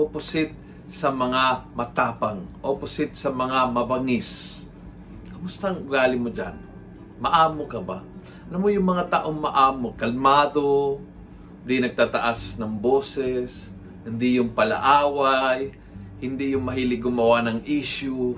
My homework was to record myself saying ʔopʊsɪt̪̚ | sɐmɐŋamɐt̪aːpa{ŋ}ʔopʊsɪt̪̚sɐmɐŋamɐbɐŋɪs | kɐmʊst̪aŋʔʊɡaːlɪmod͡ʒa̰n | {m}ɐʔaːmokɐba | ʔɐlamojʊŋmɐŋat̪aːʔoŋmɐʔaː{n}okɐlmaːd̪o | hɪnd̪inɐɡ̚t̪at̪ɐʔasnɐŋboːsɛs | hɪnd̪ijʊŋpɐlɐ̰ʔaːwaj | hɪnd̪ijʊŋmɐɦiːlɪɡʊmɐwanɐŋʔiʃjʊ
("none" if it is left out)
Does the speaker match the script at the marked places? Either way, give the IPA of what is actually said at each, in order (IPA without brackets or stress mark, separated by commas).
ŋ, m, m